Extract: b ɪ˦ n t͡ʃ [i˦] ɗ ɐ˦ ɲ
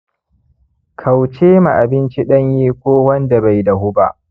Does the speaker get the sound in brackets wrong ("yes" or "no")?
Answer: no